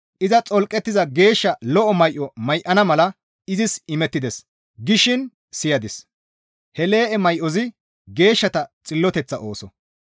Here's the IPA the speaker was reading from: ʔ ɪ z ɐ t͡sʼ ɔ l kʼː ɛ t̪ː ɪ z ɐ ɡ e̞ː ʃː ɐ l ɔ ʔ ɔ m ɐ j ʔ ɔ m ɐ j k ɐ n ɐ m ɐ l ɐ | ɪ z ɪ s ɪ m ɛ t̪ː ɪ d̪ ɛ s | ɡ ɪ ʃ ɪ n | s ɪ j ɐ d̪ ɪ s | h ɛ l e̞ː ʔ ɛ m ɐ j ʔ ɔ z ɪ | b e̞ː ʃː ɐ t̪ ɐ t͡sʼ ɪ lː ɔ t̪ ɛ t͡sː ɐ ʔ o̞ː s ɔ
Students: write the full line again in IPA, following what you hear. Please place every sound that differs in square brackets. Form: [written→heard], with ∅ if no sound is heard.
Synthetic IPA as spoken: ʔ ɪ z ɐ t͡sʼ ɔ l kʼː ɛ t̪ː ɪ z ɐ ɡ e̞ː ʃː ɐ l ɔ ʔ ɔ m ɐ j ʔ ɔ m ɐ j [k→ʔ] ɐ n ɐ m ɐ l ɐ | ɪ z ɪ s ɪ m ɛ t̪ː ɪ d̪ ɛ s | ɡ ɪ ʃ ɪ n | s ɪ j ɐ d̪ ɪ s | h ɛ l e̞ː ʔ ɛ m ɐ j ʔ ɔ z ɪ | [b→ɡ] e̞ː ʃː ɐ t̪ ɐ t͡sʼ ɪ lː ɔ t̪ ɛ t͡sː ɐ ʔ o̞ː s ɔ